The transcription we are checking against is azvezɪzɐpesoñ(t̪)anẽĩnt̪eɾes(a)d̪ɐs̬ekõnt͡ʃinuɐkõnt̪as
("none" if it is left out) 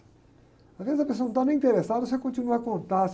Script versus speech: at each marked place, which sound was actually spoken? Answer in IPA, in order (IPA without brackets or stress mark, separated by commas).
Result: t̪, a